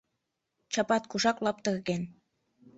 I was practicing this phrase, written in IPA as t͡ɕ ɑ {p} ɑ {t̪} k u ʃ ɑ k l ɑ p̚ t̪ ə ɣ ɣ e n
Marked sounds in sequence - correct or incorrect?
correct, correct

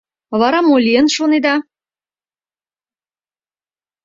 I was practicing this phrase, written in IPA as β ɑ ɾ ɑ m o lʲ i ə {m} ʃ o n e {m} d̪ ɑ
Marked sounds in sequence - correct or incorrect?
incorrect: n, incorrect: none

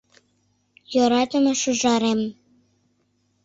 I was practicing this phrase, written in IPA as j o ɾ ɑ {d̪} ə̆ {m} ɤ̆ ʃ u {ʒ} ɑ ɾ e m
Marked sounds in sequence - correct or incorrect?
incorrect: t̪, correct, correct

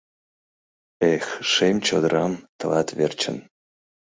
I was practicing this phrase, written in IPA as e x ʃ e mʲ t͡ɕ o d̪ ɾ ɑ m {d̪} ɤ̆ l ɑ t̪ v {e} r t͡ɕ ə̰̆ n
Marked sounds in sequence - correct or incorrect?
incorrect: t̪, correct

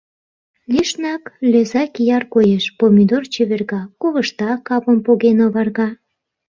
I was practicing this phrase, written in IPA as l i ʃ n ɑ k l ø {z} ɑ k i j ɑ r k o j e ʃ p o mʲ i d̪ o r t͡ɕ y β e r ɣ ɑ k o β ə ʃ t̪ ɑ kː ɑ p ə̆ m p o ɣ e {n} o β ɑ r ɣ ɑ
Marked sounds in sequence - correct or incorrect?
correct, correct

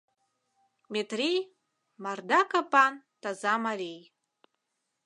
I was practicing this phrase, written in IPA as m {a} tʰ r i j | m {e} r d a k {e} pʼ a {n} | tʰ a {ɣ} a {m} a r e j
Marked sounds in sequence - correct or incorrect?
incorrect: e, incorrect: a, incorrect: a, correct, incorrect: z, correct

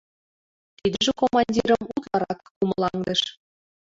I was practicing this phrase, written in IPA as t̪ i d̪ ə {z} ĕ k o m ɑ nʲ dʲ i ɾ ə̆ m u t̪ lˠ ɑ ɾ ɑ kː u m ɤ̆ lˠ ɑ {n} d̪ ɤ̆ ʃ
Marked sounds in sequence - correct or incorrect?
incorrect: ʒ, incorrect: ŋ

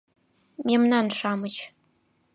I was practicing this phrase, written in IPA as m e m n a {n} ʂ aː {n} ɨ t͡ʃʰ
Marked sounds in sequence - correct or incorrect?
correct, incorrect: m

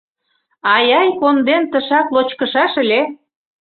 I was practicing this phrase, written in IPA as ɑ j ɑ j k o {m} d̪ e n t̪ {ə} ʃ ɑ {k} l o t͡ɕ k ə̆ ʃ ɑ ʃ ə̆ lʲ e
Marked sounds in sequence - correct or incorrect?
incorrect: n, correct, correct

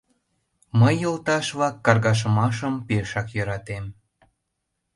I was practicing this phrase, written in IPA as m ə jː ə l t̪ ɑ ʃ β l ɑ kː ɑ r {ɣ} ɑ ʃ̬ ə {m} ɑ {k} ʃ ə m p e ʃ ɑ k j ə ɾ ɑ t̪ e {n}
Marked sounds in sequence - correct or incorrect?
correct, correct, incorrect: none, incorrect: m

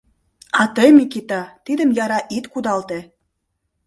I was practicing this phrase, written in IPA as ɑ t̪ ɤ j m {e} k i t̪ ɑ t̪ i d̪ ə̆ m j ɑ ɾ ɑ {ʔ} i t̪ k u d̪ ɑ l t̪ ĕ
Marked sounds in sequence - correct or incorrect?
incorrect: i, correct

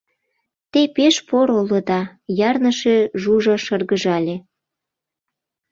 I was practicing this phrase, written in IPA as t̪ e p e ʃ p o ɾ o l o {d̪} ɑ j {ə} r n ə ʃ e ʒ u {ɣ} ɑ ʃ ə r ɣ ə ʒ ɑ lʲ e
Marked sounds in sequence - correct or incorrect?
correct, incorrect: ɑ, incorrect: ʒ

